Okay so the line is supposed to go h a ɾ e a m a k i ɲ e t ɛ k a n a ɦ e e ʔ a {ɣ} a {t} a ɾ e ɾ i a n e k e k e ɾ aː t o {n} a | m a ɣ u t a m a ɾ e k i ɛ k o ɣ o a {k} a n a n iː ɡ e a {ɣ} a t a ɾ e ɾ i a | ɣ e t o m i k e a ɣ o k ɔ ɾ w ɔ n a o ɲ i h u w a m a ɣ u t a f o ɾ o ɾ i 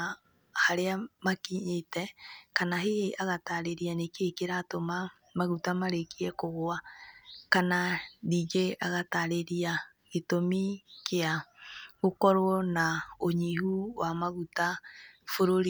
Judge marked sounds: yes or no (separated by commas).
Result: yes, yes, no, yes, yes